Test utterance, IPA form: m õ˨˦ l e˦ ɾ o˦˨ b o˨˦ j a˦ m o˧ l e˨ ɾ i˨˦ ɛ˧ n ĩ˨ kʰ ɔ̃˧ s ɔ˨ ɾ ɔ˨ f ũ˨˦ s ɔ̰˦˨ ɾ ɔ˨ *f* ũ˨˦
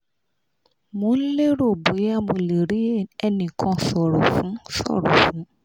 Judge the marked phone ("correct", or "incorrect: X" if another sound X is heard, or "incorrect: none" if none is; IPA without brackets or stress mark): correct